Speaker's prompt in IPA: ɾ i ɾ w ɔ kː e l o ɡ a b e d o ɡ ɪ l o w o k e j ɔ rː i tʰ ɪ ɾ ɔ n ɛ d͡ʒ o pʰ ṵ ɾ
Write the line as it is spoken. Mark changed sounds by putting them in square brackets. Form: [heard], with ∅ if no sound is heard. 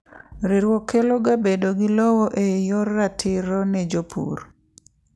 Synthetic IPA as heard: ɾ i ɾ w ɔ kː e l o ɡ a b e d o ɡ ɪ l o w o [ʔ] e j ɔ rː [a] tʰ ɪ ɾ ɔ n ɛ d͡ʒ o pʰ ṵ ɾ